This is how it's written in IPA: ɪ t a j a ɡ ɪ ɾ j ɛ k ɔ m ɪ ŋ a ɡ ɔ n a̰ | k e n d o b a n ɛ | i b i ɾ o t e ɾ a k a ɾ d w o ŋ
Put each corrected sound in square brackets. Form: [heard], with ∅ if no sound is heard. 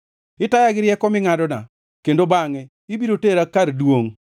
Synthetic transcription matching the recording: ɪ t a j a ɡ ɪ ɾ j ɛ k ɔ m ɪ ŋ a [d] ɔ n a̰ | k e n d o b a [ŋ] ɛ | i b i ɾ o t e ɾ a k a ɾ d w o ŋ